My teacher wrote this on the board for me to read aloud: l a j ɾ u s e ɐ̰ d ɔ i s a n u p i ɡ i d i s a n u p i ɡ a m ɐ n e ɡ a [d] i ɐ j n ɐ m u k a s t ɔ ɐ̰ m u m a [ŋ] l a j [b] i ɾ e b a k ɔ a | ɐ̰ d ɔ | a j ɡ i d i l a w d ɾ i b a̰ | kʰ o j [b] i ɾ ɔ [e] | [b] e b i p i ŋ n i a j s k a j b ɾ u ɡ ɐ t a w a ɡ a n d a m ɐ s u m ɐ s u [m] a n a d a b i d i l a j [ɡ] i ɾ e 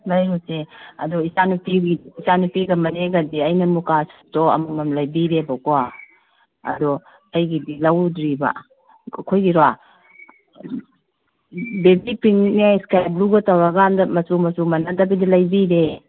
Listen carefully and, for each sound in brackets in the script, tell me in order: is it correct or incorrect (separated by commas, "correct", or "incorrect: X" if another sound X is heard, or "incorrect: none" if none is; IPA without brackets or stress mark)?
correct, incorrect: m, correct, incorrect: ɡ, incorrect: a, correct, correct, incorrect: b